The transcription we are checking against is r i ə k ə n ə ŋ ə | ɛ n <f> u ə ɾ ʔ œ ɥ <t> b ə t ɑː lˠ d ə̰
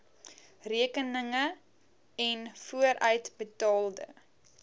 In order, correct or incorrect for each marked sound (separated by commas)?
correct, correct